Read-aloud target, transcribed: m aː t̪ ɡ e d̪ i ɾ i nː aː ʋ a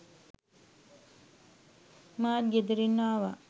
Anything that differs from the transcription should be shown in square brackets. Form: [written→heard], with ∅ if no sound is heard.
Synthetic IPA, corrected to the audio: m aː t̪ ɡ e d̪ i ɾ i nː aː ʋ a